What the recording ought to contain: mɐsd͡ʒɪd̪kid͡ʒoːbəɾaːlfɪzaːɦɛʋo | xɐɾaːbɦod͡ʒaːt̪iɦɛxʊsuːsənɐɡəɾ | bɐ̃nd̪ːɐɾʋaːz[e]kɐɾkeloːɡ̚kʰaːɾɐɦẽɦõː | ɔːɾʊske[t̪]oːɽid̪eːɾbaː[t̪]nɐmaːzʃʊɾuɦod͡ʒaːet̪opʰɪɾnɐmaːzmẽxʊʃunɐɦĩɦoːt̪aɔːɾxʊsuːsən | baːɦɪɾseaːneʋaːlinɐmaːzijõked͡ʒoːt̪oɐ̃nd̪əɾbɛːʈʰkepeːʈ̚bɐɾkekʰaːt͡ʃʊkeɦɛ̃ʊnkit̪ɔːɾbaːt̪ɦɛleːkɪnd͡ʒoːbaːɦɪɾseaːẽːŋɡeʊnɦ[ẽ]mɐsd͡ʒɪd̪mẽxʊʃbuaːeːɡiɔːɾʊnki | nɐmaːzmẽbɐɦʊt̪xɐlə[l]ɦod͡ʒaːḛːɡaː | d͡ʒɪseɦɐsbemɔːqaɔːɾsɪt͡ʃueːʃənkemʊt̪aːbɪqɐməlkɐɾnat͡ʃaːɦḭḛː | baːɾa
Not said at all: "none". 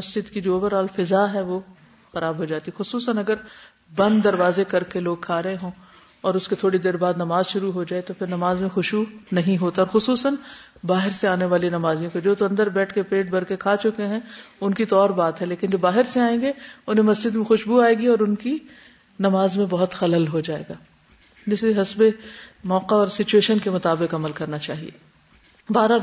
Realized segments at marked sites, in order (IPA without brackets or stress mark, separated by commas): e, t̪ʰ, d̪, ẽ, l